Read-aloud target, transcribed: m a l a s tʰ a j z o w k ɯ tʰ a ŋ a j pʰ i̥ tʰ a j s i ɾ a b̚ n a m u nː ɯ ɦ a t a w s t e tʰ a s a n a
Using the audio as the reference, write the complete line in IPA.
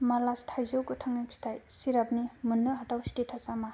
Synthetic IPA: m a l a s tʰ a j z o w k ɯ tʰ a ŋ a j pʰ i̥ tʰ a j s i ɾ a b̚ n i m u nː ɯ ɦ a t a w s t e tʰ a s a m a